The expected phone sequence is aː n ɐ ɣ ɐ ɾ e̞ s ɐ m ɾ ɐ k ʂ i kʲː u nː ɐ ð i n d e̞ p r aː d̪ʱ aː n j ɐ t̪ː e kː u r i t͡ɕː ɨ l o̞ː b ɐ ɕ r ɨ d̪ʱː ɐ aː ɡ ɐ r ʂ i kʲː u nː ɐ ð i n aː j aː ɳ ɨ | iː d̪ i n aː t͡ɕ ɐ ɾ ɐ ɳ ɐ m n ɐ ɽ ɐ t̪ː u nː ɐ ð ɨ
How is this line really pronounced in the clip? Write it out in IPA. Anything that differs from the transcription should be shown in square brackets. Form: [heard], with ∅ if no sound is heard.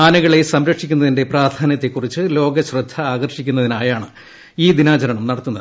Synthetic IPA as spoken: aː n ɐ ɣ ɐ [ɭ] e̞ s ɐ m ɾ ɐ k ʂ i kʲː u nː ɐ ð i n d e̞ p r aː d̪ʱ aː n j ɐ t̪ː e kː u r i t͡ɕː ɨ l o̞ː [ɡ] ɐ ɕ r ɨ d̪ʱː ɐ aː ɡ ɐ r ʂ i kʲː u nː ɐ ð i n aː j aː ɳ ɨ | iː d̪ i n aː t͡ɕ ɐ ɾ ɐ ɳ ɐ m n ɐ ɽ ɐ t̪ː u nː ɐ ð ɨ